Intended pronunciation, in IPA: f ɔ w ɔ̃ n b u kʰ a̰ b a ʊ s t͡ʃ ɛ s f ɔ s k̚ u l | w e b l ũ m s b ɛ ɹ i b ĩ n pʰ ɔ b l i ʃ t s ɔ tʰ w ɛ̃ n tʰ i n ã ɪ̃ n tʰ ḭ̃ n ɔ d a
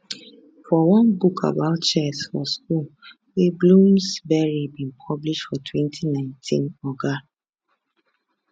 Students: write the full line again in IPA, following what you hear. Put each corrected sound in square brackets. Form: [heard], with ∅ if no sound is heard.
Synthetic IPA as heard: f ɔ w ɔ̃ n b u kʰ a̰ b a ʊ [t] t͡ʃ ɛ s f ɔ s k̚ u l | w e b l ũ m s b ɛ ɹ i b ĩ n pʰ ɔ b l i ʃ t [f] ɔ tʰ w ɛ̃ n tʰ i n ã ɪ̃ n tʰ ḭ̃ n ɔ [ɡ] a